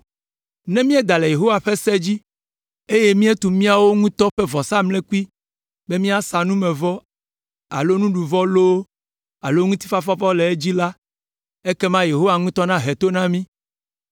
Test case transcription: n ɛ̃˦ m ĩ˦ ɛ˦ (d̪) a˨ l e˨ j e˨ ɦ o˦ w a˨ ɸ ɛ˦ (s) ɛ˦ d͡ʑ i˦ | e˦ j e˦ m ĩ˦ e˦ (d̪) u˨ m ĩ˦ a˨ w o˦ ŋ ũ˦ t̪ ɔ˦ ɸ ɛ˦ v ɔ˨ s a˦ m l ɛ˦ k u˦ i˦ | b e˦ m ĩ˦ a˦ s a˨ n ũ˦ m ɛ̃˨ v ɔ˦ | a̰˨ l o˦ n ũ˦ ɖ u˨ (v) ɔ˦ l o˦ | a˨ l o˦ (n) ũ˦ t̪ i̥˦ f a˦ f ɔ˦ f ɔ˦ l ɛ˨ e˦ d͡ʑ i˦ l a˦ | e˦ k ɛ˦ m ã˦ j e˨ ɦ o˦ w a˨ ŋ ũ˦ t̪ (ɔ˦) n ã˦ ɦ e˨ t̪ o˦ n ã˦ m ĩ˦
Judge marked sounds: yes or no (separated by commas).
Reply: yes, yes, no, yes, no, yes